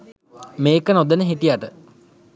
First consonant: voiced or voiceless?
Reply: voiced